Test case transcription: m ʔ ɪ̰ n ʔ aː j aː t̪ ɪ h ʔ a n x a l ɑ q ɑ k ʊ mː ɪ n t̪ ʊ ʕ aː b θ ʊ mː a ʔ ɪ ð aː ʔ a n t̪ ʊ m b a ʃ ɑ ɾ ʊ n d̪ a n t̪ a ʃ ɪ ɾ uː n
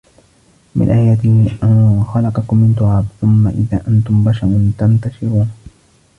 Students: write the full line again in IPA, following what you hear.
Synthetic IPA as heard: m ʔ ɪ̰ n ʔ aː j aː t̪ ɪ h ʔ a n x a l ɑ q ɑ k ʊ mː ɪ n t̪ ʊ ʕ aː b θ ʊ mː a ʔ ɪ ð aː ʔ a n t̪ ʊ m b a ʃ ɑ ɾ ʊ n t̪ a n t̪ a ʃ ɪ ɾ uː n